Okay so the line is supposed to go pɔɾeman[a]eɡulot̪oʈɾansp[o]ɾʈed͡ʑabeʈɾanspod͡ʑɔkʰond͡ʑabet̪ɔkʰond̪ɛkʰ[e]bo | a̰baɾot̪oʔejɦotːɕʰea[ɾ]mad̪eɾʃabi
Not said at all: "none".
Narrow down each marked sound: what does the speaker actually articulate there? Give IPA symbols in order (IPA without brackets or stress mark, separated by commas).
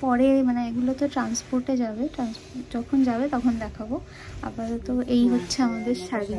e, o, a, none